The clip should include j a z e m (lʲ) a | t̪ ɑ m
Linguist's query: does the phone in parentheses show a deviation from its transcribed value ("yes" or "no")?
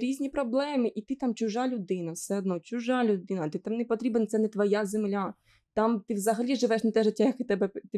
no